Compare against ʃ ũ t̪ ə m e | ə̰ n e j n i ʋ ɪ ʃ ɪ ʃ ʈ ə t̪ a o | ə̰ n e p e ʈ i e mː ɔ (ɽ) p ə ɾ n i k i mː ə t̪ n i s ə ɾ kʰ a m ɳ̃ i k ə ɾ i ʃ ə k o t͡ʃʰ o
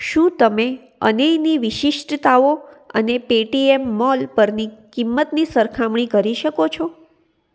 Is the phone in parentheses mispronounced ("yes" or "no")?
yes